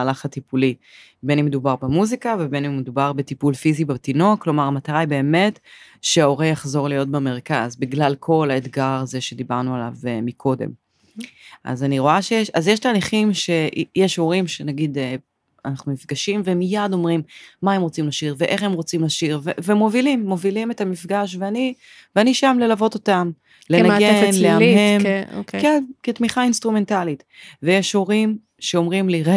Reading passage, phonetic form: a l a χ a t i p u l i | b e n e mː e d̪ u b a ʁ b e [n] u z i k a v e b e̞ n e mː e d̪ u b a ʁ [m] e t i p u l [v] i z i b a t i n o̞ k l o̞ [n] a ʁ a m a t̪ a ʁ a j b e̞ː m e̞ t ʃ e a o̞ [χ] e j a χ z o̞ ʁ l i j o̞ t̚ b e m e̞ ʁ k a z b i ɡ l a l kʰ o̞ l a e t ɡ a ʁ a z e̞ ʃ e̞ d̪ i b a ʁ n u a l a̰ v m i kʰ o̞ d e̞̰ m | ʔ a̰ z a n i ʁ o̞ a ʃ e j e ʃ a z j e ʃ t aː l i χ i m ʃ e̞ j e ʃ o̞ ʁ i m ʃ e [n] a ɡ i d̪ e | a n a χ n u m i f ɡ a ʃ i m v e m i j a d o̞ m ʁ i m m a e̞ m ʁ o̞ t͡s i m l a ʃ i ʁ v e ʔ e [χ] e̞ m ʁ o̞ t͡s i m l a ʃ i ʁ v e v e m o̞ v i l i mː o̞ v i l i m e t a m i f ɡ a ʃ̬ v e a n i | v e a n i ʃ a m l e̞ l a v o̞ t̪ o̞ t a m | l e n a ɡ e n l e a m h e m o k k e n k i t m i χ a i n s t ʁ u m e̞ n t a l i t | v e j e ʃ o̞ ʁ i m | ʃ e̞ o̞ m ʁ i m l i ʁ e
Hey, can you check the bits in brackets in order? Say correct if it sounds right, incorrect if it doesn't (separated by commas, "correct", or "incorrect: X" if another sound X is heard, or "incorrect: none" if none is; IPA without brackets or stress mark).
incorrect: m, incorrect: b, incorrect: f, incorrect: m, incorrect: ʁ, correct, correct